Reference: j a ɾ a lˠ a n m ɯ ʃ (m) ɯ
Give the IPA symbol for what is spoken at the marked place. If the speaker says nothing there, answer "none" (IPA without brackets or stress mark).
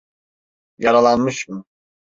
m